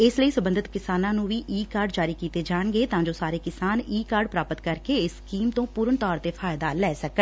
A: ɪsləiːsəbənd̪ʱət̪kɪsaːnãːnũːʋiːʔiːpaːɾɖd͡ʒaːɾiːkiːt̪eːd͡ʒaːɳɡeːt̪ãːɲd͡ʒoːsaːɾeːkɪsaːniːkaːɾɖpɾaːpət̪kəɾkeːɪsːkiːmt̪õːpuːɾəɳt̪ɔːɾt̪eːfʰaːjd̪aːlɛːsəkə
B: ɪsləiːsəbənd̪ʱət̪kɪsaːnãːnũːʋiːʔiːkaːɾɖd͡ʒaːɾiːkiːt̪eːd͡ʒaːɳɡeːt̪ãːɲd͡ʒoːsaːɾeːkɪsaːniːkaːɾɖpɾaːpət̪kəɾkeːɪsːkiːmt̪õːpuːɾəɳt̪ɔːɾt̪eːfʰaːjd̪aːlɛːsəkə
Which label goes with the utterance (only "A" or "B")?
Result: B